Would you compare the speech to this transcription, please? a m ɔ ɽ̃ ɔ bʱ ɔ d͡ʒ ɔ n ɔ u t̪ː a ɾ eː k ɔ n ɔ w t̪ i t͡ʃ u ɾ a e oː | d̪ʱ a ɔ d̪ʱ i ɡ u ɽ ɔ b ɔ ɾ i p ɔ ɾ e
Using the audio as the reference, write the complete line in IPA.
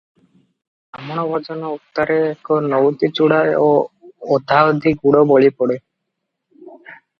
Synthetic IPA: a m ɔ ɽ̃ ɔ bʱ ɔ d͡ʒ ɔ n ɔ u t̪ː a ɾ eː k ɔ n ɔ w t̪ i t͡ʃ u ɽ a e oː | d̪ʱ a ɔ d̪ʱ i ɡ u ɽ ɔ b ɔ ɭ i p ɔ ɽ e